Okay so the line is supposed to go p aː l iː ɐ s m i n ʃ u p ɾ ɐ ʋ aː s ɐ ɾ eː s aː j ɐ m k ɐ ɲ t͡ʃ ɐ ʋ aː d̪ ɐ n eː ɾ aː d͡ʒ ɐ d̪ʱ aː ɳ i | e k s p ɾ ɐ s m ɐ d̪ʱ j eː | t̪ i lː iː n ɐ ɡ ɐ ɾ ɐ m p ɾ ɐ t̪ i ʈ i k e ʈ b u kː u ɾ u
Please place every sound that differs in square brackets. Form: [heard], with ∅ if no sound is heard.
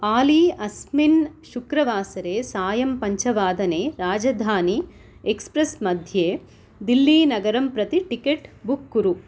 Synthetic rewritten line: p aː l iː ɐ s m i n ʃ u [k] ɾ ɐ ʋ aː s ɐ ɾ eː s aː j ɐ m [p] ɐ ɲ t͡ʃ ɐ ʋ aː d̪ ɐ n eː ɾ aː d͡ʒ ɐ d̪ʱ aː [n] i | e k s p ɾ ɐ s m ɐ d̪ʱ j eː | [d̪] i lː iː n ɐ ɡ ɐ ɾ ɐ m p ɾ ɐ t̪ i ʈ i k e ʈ b u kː u ɾ u